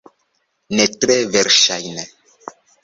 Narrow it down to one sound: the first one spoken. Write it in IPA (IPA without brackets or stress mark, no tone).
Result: n